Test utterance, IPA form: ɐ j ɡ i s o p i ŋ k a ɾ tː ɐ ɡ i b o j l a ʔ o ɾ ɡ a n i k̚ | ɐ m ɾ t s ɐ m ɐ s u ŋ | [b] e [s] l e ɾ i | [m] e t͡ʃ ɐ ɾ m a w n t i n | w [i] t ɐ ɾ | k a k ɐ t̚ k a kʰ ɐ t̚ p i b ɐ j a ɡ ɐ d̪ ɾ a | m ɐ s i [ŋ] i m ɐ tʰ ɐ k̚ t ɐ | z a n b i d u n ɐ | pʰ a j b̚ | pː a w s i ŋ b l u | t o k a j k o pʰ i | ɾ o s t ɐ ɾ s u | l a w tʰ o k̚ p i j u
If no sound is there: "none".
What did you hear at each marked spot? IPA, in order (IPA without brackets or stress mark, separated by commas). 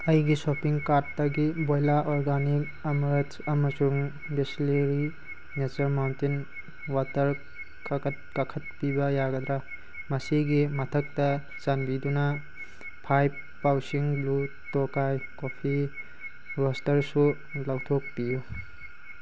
b, s, n, a, ɡ